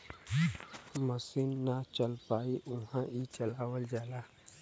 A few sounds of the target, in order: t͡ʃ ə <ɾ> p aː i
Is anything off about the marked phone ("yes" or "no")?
yes